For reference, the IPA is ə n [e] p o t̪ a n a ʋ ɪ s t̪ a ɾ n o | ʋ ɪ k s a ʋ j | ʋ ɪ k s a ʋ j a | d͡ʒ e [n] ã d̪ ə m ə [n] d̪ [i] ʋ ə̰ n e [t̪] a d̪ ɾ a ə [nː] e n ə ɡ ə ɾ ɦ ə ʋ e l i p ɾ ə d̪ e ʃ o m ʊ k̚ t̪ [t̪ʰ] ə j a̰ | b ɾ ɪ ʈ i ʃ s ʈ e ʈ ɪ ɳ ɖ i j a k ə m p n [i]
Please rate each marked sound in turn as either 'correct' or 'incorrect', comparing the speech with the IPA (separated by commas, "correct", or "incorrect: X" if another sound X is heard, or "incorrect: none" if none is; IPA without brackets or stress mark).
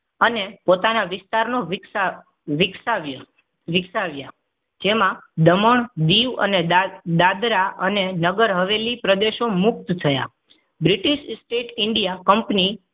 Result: correct, incorrect: m, incorrect: ɳ, correct, incorrect: d̪, incorrect: n, correct, correct